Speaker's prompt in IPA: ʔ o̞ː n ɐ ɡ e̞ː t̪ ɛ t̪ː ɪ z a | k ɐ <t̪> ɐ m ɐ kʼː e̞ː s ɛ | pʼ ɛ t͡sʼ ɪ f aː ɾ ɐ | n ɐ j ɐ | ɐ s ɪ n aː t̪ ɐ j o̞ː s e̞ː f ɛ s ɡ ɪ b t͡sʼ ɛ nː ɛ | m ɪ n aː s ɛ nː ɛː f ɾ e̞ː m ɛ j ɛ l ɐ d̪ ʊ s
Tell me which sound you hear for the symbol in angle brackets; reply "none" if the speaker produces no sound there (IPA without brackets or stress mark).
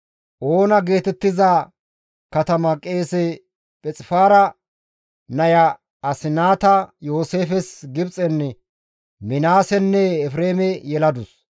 t̪